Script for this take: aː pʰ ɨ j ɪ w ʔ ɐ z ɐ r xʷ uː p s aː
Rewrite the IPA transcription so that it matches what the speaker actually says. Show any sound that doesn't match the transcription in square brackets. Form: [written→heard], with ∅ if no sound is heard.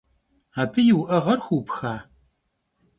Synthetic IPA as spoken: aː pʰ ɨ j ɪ w ʔ ɐ [z→ʁ] ɐ r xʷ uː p [s→x] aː